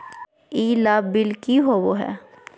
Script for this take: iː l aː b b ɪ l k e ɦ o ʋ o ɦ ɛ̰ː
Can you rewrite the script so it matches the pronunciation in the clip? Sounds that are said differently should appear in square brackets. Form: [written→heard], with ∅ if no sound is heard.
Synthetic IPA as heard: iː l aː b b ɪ l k [e→i] ɦ o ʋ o ɦ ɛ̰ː